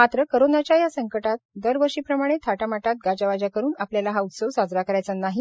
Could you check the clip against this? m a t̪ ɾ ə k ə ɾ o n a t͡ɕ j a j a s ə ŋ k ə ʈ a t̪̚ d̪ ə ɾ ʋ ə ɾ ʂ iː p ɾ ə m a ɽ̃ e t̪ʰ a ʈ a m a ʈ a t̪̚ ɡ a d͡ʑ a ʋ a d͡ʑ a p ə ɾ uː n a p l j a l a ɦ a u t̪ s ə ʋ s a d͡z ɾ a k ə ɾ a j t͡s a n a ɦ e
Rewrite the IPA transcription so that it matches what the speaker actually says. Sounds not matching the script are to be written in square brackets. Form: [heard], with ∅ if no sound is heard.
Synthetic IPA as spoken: m a t̪ ɾ ə k ə ɾ o n a t͡ɕ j a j a s ə ŋ k ə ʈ a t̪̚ d̪ ə ɾ ʋ ə ɾ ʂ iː p ɾ ə m a ɽ̃ e t̪ʰ a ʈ a m a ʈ a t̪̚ ɡ a d͡ʑ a ʋ a d͡ʑ a [k] ə ɾ uː n a p l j a l a ɦ a u t̪ s ə ʋ s a d͡z ɾ a k ə ɾ a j t͡s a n a ɦ [i]